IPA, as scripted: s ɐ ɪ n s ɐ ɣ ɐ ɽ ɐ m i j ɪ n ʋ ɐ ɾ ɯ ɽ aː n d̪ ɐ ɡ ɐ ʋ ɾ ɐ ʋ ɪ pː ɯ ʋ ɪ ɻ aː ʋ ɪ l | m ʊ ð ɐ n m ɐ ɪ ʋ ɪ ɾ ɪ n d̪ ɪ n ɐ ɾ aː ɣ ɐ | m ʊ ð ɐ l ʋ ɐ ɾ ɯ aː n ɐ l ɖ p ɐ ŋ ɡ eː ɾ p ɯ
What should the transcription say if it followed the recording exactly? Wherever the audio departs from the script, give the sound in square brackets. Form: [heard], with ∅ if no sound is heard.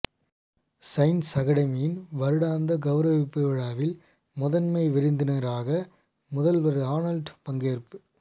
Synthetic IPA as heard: s ɐ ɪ n s ɐ ɣ ɐ ɽ ɐ m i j ɪ n ʋ ɐ ɾ ɯ ɽ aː n d̪ ɐ ɡ ɐ ʋ ɾ ɐ ʋ ɪ pː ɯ ʋ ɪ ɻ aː ʋ ɪ l | m ʊ ð ɐ n m ɐ ɪ ʋ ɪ ɾ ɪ n d̪ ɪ n ɐ ɾ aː ɣ ɐ | m ʊ ð ɐ l ʋ ɐ ɾ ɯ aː n ɐ l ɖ p ɐ ŋ ɡ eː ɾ p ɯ